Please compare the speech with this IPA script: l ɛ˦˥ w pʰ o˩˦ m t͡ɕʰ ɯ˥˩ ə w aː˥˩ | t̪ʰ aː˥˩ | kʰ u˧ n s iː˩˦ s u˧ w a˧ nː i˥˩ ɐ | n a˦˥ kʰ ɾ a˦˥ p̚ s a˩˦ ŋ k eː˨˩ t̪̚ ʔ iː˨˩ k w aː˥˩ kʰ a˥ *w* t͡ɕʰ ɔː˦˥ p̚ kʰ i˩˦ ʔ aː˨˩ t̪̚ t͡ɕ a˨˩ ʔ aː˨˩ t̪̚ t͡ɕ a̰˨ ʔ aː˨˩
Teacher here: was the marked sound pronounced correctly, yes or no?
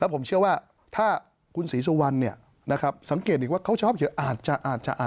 yes